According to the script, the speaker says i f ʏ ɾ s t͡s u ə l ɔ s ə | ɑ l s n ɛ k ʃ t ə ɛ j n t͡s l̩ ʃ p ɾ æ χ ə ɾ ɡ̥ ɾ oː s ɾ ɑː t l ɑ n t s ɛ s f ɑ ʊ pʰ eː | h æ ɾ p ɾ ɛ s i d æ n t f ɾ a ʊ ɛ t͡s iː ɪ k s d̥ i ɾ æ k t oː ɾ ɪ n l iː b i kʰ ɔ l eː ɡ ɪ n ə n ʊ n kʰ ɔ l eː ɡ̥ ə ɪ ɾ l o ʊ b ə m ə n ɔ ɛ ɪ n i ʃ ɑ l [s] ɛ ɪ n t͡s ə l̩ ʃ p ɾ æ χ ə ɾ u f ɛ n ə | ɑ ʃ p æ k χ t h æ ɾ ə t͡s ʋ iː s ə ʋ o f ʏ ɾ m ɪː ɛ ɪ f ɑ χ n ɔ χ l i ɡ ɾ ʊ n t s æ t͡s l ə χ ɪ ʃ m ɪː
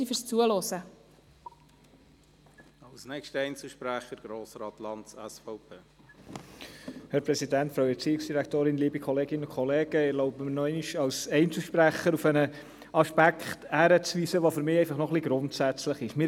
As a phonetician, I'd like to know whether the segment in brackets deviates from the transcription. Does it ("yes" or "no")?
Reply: no